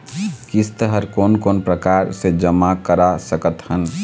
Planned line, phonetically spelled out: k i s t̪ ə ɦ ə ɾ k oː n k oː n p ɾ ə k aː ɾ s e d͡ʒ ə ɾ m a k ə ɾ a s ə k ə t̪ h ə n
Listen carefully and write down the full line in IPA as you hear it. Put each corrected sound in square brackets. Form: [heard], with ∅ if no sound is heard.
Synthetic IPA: k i s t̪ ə ɦ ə ɾ k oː n k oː n p ɾ ə k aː ɾ s e d͡ʒ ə [∅] m a k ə ɾ a s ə k ə t̪ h ə n